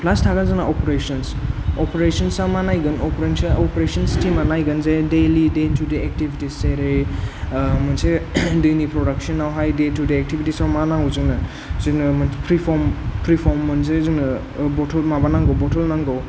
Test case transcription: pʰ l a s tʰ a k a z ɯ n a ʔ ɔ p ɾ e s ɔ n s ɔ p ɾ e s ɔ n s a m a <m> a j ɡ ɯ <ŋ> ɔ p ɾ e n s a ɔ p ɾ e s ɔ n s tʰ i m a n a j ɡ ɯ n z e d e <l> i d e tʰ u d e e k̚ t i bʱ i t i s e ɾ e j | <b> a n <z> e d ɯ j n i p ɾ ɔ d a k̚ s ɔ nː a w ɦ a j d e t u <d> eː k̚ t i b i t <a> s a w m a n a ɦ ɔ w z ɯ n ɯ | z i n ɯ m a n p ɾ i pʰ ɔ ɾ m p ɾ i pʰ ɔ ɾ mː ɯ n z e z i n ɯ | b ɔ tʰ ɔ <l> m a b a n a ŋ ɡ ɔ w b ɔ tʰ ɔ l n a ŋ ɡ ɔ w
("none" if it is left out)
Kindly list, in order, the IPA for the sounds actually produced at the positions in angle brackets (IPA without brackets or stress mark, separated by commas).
n, n, l, m, s, d, i, l